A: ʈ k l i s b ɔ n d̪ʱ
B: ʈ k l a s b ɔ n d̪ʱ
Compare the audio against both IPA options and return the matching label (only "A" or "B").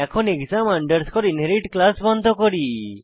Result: B